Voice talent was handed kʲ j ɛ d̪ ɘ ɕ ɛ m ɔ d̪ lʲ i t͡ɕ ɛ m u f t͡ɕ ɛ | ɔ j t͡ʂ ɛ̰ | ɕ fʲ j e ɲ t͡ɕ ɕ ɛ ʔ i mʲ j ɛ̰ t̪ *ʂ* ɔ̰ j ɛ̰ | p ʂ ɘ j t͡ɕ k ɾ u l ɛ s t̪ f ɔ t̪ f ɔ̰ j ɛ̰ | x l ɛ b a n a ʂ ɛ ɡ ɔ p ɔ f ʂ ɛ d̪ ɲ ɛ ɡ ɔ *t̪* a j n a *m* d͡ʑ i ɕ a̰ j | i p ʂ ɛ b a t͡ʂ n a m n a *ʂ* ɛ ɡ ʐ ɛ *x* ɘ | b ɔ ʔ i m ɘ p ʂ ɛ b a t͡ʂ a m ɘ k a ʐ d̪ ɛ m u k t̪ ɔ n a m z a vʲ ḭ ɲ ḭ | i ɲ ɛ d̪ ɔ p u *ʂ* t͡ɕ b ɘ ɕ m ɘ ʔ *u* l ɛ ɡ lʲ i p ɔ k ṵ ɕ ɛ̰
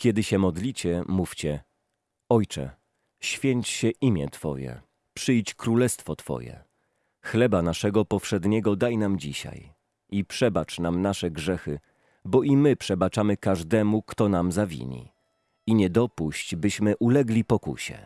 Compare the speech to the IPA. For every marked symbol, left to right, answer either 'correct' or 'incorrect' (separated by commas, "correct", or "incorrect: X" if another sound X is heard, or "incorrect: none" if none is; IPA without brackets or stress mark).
incorrect: f, incorrect: d̪, correct, correct, correct, incorrect: ɕ, correct